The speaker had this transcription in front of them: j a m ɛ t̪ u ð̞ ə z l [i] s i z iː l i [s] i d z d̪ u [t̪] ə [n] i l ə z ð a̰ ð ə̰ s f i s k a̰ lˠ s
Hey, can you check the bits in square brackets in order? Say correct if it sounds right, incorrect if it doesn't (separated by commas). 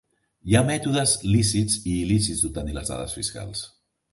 correct, correct, correct, correct